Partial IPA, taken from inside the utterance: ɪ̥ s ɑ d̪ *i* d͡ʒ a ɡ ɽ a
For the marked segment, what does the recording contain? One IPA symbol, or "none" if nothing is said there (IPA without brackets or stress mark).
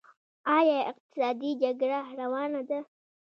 i